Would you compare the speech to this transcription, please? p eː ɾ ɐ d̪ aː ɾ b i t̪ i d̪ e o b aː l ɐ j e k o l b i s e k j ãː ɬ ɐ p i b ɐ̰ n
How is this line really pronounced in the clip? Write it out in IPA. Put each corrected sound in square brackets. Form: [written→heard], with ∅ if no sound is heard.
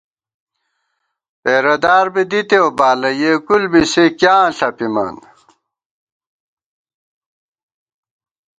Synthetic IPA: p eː ɾ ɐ d̪ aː ɾ b i [t̪→d̪] i [d̪→t̪] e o b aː l ɐ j e k [o→u] l b i s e k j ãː ɬ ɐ p i [b→m] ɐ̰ n